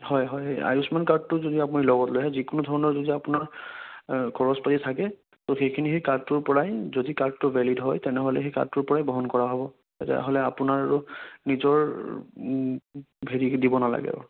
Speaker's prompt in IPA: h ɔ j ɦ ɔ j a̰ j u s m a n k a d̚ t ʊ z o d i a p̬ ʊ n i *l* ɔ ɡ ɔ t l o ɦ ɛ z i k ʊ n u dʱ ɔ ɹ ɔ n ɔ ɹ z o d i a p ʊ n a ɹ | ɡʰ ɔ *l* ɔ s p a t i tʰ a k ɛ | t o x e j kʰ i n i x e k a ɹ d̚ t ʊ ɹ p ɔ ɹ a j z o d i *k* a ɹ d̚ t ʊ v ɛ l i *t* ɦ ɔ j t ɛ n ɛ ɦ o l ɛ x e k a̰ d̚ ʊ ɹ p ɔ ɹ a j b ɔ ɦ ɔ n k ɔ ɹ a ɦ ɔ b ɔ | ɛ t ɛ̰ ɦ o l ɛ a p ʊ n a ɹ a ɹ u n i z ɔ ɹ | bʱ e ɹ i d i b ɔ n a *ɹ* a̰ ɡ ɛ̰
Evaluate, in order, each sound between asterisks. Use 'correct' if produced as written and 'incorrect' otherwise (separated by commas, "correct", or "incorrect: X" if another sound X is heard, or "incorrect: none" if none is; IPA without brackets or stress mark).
correct, incorrect: ɹ, correct, incorrect: d, incorrect: l